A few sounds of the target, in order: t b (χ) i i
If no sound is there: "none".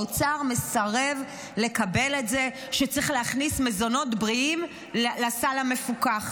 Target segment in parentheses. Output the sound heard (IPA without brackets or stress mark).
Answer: ʁ